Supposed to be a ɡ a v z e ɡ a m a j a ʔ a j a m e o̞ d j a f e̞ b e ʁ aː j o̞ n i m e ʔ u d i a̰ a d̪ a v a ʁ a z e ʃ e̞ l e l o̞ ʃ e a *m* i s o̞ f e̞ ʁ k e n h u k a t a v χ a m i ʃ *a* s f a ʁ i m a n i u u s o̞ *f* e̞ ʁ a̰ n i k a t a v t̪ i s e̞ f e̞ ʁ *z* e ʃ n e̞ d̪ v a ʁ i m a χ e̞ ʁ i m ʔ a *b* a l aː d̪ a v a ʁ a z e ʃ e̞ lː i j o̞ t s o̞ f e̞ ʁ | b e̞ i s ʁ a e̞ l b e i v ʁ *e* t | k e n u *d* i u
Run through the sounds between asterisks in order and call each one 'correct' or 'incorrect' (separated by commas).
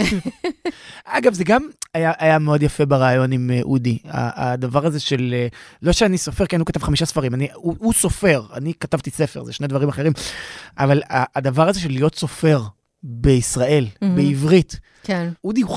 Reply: incorrect, correct, correct, correct, incorrect, incorrect, correct